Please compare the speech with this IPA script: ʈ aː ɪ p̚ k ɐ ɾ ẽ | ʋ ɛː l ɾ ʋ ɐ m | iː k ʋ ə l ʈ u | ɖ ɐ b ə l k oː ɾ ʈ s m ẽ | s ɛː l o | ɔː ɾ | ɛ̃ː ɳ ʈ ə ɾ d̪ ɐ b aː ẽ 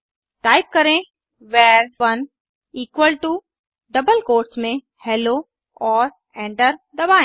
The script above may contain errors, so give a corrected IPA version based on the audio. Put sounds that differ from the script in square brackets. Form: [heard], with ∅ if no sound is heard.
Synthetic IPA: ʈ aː ɪ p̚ k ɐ ɾ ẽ | ʋ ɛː [∅] ɾ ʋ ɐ [n] | iː k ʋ ə l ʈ u | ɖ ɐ b ə l k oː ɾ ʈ s m ẽ | [h] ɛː l o | ɔː ɾ | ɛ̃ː ɳ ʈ ə ɾ d̪ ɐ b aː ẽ